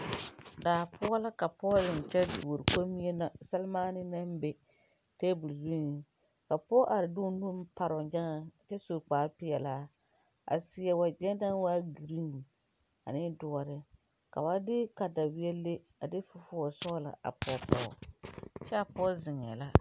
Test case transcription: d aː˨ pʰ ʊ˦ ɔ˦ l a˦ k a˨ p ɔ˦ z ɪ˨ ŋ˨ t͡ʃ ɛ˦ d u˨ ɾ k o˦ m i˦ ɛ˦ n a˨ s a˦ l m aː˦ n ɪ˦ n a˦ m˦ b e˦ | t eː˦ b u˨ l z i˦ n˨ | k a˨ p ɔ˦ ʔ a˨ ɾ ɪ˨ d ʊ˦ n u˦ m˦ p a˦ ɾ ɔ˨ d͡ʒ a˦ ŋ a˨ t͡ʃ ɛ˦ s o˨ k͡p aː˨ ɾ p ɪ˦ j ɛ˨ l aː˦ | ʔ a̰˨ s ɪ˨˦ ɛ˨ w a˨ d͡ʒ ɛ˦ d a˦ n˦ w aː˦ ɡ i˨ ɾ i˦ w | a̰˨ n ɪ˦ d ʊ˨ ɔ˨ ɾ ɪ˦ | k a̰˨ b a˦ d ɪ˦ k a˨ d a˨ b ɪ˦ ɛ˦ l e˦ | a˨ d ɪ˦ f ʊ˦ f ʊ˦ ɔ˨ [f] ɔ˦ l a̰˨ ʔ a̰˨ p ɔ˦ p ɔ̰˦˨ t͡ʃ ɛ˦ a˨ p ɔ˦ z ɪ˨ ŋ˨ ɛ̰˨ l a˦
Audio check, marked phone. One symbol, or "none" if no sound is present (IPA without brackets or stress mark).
s